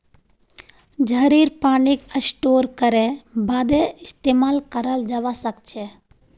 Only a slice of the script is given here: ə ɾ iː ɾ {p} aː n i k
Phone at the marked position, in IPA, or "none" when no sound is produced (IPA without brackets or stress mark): p